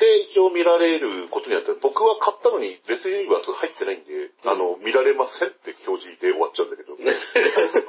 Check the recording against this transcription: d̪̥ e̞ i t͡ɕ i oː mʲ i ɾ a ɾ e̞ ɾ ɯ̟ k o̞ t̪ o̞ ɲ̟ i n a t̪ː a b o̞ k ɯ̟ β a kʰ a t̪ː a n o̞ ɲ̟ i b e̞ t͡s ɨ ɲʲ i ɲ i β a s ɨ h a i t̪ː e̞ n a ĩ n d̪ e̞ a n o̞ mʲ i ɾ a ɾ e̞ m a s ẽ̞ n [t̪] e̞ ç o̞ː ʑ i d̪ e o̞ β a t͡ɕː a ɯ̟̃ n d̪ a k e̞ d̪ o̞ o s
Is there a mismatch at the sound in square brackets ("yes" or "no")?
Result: no